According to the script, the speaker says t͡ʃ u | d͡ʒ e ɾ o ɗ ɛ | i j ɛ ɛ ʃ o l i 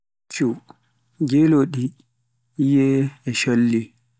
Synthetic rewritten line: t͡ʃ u | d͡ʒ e l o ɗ i | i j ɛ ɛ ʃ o lː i